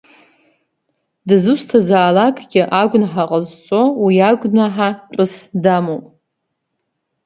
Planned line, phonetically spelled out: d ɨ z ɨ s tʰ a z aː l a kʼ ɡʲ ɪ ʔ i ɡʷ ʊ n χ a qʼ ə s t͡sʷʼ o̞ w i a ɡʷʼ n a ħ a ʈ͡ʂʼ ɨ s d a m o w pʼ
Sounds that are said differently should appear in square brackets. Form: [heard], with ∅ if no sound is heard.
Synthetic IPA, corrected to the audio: d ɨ z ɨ s tʰ a z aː l a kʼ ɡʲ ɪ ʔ [a] ɡʷ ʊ n [ħ] a qʼ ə [z] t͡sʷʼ o̞ w i a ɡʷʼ n a ħ a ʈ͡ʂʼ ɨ s d a m o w pʼ

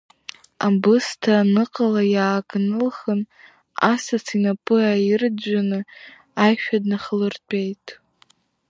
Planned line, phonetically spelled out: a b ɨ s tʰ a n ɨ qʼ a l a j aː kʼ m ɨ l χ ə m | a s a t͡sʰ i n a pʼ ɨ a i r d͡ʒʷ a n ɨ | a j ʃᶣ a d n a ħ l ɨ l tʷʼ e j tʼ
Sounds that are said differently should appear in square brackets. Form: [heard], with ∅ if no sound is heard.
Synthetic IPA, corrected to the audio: a b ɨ s tʰ a n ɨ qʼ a l a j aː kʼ [n] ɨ l χ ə [n] | a s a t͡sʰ i n a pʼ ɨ a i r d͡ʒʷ a n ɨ | a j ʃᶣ a d n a [χ] l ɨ [r] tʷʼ e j tʼ

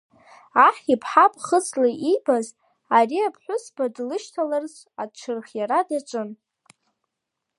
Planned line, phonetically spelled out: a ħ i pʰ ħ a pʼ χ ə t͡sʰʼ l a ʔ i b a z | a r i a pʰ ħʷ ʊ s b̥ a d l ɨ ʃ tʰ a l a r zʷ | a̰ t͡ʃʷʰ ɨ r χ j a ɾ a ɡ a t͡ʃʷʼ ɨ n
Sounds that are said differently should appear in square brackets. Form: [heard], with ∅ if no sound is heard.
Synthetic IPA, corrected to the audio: a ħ i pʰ ħ a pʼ χ ə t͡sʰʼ l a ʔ i b a z | a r i a pʰ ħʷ ʊ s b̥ a d l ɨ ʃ tʰ a l a r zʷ | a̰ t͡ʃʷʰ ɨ r χ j a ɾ a [d] a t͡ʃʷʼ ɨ n

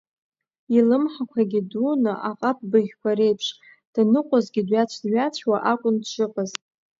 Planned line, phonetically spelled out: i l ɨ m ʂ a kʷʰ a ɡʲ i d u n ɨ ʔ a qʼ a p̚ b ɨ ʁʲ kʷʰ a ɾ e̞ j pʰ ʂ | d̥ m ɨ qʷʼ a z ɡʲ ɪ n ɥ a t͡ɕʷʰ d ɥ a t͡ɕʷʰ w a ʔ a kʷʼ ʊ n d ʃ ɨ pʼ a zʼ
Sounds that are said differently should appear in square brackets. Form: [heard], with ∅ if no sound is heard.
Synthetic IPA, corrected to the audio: i l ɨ m [ħ] a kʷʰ a ɡʲ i d u n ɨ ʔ a qʼ a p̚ b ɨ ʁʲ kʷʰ a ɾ e̞ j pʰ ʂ | d̥ [n] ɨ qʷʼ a z ɡʲ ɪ [d] ɥ a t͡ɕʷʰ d ɥ a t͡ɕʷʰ w a ʔ a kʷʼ ʊ n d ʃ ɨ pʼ a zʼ

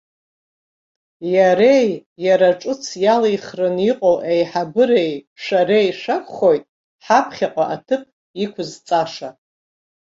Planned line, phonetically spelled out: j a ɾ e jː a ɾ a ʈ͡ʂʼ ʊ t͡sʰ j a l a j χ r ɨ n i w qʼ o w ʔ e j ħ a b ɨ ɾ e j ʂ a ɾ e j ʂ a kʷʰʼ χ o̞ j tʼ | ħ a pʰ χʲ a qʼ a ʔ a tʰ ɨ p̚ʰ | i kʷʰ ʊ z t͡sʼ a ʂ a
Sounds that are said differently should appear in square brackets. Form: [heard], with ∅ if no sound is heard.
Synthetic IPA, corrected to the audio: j a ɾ e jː a ɾ a ʈ͡ʂʼ ʊ t͡sʰ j a l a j χ r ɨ n i [∅] qʼ o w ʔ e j ħ a b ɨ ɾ e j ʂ a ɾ e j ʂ a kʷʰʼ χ o̞ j tʼ | ħ a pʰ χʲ a qʼ a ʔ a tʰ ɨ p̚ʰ | i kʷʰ ʊ z t͡sʼ a ʂ a

